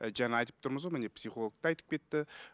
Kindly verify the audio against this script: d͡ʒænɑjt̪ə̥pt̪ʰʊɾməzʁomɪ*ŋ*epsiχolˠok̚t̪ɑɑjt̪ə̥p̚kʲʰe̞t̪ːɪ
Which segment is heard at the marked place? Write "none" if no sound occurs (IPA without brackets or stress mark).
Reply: n